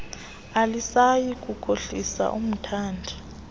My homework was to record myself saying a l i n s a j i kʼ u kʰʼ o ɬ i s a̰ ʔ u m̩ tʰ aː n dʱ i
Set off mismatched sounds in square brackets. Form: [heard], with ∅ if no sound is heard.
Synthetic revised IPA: a l i [∅] s a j i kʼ u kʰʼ o ɬ i s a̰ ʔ u m̩ tʰ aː n dʱ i